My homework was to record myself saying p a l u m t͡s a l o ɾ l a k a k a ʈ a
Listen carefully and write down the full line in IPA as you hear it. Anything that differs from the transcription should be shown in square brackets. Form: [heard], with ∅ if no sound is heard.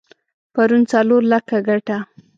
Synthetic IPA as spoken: p a [ɾ] u [n] t͡s a l o ɾ l a k a [ɡ] a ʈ a